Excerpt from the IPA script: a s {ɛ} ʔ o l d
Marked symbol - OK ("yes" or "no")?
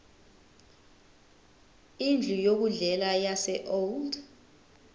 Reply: yes